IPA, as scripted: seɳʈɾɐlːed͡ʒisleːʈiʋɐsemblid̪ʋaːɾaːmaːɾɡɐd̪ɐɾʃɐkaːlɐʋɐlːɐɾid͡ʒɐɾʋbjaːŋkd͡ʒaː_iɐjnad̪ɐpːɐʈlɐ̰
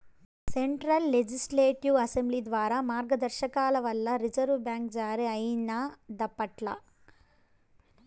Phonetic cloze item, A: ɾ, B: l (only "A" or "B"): A